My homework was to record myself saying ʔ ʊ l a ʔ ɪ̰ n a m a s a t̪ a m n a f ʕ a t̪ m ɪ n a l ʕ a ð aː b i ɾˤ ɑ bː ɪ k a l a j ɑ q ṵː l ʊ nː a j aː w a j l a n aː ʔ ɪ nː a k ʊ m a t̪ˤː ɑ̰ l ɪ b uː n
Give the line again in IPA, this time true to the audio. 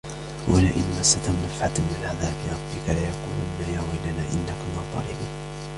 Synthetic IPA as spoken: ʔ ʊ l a ʔ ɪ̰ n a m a s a t̪ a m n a f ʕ a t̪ m ɪ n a l ʕ a ð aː b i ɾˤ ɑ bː ɪ k a l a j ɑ q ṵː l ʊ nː a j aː w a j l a n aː ʔ ɪ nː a k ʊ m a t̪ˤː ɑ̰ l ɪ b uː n